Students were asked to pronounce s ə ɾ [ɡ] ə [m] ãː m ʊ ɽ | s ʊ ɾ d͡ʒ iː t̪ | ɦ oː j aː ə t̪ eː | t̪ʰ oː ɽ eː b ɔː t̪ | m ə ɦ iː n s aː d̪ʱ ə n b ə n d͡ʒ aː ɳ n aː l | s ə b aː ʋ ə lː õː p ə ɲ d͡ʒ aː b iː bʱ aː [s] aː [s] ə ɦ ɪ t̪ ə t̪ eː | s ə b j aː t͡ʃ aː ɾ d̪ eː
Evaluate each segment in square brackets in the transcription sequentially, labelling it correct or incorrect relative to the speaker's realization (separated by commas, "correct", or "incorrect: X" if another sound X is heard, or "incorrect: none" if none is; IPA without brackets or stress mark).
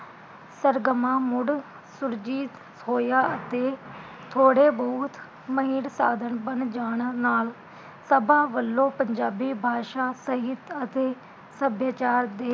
correct, correct, incorrect: ʃ, correct